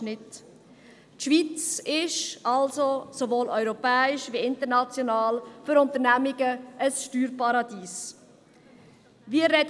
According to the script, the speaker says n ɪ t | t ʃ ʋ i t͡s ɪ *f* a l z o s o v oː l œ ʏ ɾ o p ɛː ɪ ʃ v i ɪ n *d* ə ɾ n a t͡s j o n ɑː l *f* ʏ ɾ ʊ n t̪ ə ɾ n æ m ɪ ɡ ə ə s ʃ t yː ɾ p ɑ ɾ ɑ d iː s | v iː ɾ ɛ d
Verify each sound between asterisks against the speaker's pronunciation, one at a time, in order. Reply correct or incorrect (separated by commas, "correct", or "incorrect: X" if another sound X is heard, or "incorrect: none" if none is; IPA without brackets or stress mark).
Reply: incorrect: ʃ, incorrect: t, correct